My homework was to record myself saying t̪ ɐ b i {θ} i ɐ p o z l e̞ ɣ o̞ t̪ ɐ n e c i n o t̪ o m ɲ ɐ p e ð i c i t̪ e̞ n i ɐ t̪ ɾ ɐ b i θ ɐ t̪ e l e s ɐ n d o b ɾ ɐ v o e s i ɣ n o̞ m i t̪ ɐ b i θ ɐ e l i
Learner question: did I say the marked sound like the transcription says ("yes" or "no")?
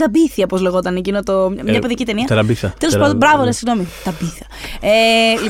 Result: yes